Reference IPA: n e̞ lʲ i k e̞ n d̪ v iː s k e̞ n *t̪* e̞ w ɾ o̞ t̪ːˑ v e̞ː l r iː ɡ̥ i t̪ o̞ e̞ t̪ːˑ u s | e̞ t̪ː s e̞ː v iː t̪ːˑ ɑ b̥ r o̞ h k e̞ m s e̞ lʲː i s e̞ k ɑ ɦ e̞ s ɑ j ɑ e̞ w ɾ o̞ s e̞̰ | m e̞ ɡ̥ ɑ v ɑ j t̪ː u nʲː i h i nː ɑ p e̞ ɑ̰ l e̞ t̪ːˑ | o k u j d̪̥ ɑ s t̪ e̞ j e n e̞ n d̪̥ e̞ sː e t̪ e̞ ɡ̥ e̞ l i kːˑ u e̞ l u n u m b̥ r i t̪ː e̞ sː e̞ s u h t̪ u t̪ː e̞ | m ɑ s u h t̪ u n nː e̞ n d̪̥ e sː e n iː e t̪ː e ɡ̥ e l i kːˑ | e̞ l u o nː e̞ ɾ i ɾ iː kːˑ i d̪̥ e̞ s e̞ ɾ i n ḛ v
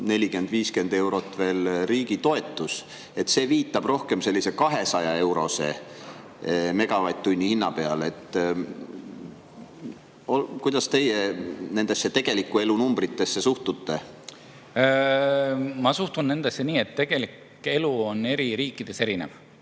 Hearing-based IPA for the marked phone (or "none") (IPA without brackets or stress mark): d̪